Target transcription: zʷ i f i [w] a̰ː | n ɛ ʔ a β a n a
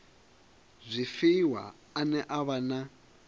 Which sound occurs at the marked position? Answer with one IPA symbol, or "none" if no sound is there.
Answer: w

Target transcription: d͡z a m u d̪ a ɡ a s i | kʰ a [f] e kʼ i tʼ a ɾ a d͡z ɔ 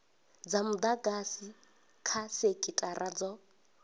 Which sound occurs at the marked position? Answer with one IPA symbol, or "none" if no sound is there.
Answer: s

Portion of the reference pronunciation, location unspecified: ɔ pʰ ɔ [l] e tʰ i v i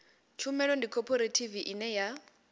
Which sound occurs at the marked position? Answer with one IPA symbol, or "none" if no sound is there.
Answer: ɾ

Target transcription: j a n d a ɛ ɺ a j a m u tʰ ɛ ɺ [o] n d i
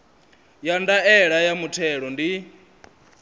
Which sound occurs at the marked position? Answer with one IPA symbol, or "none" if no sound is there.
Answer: ɔ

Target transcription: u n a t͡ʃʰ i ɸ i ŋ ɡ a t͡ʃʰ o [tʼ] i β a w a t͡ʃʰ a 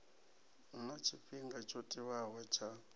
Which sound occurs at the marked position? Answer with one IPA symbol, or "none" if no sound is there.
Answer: tʼ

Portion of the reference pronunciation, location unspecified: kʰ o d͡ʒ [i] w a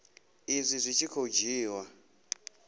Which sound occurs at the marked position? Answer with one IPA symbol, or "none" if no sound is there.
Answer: iː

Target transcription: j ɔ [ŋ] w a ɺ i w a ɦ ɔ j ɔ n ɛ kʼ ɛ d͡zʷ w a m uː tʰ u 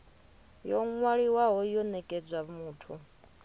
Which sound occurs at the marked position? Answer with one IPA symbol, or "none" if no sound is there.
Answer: ŋ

